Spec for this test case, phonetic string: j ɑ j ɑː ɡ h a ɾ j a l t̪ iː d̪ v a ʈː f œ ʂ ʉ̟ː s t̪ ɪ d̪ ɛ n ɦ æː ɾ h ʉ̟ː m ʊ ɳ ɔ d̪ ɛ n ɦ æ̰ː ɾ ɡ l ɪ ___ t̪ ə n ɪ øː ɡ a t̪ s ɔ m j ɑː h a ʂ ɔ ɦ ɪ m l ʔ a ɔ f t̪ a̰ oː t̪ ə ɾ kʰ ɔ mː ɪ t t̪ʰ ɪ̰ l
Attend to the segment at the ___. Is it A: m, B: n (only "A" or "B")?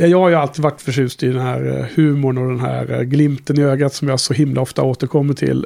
A